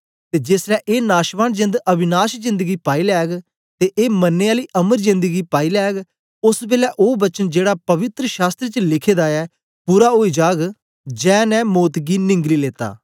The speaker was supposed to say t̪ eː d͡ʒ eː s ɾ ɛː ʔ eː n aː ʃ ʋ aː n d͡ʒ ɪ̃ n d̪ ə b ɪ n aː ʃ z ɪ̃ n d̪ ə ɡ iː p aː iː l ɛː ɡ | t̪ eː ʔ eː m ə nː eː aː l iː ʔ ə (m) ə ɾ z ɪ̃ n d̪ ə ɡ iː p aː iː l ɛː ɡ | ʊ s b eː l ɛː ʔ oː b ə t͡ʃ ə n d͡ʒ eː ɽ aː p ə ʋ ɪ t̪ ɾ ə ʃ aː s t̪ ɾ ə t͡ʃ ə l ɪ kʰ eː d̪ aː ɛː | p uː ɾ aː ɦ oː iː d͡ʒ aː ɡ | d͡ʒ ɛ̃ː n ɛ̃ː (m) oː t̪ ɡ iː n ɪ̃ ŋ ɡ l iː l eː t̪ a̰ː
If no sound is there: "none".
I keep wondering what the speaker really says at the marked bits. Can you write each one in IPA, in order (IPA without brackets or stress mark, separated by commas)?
m, m